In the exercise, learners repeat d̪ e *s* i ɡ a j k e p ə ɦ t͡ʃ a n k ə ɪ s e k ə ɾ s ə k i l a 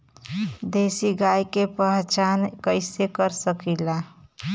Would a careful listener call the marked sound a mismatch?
no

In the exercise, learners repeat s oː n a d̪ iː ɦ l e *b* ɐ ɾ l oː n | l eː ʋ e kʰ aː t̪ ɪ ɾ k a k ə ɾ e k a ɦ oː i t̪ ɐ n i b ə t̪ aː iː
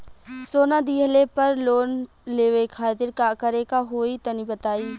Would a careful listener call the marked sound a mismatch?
yes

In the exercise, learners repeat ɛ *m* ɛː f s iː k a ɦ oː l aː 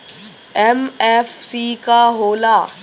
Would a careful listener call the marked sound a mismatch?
no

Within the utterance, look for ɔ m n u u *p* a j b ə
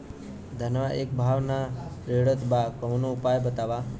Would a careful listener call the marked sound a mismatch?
no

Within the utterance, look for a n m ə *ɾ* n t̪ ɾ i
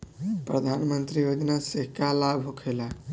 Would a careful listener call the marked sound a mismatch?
yes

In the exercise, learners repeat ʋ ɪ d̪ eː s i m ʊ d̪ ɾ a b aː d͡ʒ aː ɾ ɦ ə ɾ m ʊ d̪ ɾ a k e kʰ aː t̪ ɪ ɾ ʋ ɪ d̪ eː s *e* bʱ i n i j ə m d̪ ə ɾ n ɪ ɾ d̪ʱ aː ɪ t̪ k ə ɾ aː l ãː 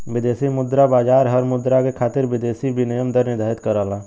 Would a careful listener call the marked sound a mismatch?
yes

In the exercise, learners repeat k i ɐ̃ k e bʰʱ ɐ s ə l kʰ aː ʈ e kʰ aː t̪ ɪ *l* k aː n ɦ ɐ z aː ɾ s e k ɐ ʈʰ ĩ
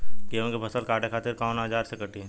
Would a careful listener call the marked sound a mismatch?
yes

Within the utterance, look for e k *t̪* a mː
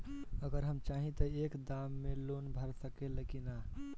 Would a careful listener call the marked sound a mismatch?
yes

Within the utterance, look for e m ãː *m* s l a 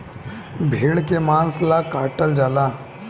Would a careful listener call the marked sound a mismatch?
yes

